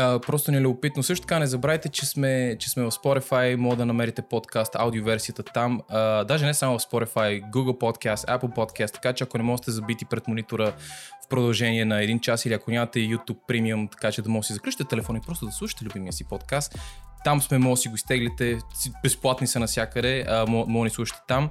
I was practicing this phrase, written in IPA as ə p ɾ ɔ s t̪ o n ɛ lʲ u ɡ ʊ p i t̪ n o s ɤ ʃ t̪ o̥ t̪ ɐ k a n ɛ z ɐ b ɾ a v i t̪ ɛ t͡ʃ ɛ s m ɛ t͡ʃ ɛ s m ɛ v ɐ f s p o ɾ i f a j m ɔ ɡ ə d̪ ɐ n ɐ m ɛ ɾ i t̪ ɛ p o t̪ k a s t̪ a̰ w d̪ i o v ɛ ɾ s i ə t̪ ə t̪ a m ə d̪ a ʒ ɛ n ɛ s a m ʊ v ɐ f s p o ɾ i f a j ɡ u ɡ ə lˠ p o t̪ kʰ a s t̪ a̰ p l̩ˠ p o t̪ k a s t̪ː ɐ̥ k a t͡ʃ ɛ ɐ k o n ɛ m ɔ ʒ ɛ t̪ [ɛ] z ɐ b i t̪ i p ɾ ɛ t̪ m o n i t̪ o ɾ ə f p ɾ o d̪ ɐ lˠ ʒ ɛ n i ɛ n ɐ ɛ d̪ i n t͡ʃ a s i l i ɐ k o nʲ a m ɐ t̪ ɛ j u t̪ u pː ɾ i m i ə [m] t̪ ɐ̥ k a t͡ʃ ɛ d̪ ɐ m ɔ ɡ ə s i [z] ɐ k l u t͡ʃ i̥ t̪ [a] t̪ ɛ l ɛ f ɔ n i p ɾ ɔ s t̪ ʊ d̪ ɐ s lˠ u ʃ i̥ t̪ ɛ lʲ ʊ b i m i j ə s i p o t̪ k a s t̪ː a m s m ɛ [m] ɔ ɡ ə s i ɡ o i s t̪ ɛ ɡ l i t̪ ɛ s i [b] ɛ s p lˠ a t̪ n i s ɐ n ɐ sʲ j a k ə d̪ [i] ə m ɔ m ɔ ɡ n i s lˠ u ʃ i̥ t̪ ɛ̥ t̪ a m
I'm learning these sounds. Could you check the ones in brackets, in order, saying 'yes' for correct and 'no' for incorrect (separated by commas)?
yes, yes, yes, no, yes, yes, no